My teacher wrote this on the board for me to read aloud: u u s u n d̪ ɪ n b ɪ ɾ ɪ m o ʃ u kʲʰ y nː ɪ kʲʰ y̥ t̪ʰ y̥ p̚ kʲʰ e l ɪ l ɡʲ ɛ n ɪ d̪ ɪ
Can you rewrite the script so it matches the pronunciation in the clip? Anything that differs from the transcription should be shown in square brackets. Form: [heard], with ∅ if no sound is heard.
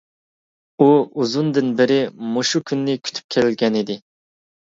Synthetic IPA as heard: u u [z] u n d̪ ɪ n b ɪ ɾ ɪ m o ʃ u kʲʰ y nː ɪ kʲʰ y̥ t̪ʰ y̥ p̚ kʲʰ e l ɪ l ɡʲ ɛ n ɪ d̪ ɪ